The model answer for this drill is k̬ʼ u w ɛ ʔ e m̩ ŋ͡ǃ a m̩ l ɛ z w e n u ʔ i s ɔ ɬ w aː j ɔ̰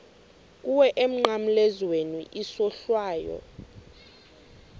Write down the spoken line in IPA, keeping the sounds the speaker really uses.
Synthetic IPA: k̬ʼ u w ɛ ʔ e m̩ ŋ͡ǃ a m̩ l ɛ z w e n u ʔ i s ɔ ɬ w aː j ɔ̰